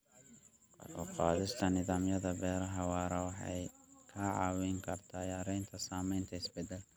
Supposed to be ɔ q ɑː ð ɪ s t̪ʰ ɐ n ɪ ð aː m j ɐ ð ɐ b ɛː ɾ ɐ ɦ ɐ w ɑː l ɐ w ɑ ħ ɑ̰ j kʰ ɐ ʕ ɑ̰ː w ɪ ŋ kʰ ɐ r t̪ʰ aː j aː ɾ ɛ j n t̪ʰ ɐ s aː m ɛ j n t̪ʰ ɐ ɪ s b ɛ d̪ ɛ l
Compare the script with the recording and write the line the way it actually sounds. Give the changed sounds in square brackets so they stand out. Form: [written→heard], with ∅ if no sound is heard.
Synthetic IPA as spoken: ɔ q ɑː ð ɪ s t̪ʰ ɐ n ɪ ð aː m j ɐ ð ɐ b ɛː ɾ ɐ ɦ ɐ w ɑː [l→ɾ] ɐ w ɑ ħ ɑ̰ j kʰ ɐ ʕ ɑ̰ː w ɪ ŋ kʰ ɐ r t̪ʰ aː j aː ɾ ɛ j n t̪ʰ ɐ s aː m ɛ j n t̪ʰ ɐ ɪ s b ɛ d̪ ɛ l